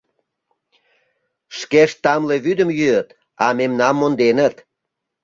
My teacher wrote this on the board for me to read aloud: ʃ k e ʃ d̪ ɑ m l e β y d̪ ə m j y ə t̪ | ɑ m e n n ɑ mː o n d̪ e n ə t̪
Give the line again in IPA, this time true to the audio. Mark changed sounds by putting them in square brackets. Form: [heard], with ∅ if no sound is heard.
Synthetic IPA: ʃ k e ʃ [t̪] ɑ m l e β y d̪ ə m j y ə t̪ | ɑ m e [m] n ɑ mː o n d̪ e n ə t̪